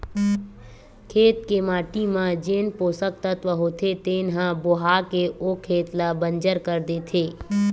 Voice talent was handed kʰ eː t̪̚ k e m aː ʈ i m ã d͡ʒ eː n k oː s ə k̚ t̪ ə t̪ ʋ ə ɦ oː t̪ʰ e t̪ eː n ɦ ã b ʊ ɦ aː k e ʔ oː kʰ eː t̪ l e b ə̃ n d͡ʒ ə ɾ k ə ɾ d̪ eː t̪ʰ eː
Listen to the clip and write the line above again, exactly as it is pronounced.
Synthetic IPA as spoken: kʰ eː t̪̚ k e m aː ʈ i m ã d͡ʒ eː n p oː s ə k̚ t̪ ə t̪ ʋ ə ɦ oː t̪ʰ e t̪ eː n ɦ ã b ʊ ɦ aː k e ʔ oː kʰ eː t̪ l a b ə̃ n d͡ʒ ə ɾ k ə ɾ d̪ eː t̪ʰ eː